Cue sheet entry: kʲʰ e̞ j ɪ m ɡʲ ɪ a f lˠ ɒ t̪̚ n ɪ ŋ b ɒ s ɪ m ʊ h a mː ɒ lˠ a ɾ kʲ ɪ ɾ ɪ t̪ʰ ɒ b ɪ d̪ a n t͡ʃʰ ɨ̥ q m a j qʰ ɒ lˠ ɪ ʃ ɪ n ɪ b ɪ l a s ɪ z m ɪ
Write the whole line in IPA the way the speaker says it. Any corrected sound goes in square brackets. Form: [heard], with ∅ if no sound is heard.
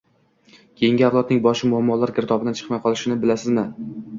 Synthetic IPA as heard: kʲʰ e̞ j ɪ [ŋ] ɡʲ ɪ a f lˠ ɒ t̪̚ n ɪ ŋ b ɒ [ʃ] ɪ m ʊ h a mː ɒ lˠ a ɾ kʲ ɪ ɾ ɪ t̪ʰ ɒ b ɪ d̪ a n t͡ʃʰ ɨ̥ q m a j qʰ ɒ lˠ ɪ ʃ ɪ n ɪ b ɪ l a s ɪ z m ɪ